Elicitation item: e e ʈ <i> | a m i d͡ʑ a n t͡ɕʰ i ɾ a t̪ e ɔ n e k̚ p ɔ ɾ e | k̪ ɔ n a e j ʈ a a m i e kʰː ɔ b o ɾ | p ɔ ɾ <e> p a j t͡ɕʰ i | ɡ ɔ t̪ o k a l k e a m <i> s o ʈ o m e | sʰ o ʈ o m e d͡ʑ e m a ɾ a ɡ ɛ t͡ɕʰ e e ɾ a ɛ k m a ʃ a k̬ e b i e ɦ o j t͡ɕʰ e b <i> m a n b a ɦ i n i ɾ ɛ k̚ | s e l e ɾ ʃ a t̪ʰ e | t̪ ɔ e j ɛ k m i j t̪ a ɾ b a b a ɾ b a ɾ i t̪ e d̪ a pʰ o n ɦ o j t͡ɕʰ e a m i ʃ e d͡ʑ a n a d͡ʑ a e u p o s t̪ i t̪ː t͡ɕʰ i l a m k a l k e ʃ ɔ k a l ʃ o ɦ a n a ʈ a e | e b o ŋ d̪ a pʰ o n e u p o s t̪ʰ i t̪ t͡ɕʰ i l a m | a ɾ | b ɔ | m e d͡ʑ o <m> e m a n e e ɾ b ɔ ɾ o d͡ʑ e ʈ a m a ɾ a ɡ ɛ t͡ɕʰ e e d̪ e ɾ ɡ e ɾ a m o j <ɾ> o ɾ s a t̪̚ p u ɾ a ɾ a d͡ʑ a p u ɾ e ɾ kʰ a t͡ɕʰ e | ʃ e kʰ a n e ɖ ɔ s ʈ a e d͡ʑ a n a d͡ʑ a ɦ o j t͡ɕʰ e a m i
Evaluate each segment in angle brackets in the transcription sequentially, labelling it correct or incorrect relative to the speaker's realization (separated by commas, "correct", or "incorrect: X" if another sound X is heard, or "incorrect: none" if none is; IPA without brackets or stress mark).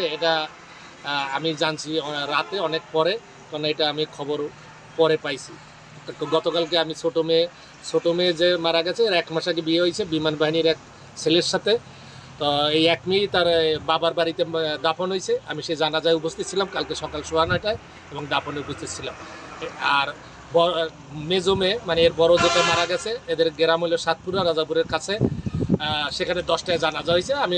incorrect: a, correct, correct, correct, correct, incorrect: l